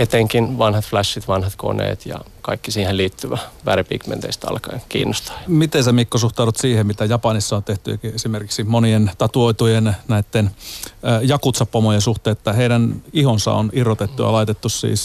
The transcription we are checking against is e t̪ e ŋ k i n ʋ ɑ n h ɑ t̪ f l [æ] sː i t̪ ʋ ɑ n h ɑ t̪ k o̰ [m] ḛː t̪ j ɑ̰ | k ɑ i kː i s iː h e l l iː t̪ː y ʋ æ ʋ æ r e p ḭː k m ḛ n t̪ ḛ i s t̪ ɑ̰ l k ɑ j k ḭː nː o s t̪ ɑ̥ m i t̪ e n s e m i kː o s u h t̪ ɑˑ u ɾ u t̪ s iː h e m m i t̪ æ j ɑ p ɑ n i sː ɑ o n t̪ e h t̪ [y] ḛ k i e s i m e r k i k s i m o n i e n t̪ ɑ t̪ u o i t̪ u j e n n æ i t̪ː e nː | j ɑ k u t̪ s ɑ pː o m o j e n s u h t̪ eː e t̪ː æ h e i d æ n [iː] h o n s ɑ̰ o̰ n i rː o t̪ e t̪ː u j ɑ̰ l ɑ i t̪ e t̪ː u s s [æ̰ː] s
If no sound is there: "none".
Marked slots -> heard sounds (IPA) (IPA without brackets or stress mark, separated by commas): æ, n, y, i, ḭː